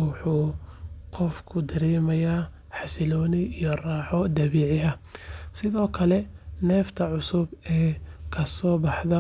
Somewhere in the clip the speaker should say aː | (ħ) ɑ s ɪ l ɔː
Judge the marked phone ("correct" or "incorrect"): correct